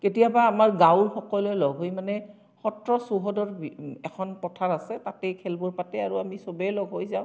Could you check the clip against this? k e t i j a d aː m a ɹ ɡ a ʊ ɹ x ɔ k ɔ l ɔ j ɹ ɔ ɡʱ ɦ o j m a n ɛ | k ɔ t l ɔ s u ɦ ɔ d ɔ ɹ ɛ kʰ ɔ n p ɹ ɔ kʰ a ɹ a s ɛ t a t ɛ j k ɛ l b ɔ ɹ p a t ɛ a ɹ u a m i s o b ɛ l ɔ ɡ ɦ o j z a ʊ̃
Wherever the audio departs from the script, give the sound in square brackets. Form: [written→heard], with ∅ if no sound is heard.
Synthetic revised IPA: k e t i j a [d→b] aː m a ɹ ɡ a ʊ ɹ x ɔ k ɔ l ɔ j [ɹ→l] ɔ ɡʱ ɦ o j m a n ɛ | [k→x] ɔ t [l→ɹ] ɔ s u ɦ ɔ d ɔ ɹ ɛ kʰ ɔ n p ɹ ɔ [kʰ→tʰ] a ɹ a s ɛ t a t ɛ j [k→kʰ] ɛ l b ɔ ɹ p a t ɛ a ɹ u a m i s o b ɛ l ɔ ɡ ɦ o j z a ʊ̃